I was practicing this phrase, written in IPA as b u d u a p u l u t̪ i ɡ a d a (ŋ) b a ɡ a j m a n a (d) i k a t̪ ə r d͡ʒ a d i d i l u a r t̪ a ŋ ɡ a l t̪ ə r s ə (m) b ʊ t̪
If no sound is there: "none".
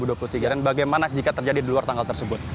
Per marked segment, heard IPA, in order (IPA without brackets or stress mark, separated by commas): n, d͡ʒ, none